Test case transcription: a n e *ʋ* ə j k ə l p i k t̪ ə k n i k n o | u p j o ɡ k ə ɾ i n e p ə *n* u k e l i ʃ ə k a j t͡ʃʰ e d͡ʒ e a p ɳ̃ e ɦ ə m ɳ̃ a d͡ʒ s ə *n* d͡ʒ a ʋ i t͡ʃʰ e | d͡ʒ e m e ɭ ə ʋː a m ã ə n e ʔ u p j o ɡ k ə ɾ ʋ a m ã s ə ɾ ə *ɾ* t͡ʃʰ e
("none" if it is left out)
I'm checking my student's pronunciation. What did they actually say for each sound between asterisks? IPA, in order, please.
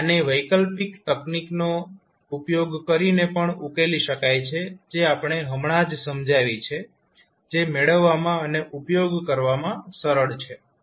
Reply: ʋ, ɳ, m, ɭ

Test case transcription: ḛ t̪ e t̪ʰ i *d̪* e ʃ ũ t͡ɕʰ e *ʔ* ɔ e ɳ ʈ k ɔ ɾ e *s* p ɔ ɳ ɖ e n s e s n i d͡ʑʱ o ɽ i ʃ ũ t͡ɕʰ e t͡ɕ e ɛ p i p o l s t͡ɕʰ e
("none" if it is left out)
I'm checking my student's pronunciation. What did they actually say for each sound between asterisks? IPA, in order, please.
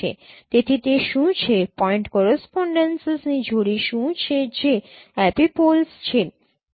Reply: t̪, p, s

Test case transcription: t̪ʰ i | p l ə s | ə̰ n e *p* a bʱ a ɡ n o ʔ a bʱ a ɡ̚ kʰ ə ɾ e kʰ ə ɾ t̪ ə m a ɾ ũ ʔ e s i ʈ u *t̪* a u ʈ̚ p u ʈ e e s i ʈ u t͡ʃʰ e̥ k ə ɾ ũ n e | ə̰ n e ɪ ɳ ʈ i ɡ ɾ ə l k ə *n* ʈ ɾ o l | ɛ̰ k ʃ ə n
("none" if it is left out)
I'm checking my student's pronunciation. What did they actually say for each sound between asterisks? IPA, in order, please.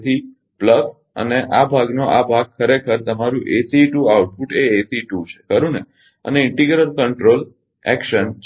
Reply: ʔ, none, ɳ

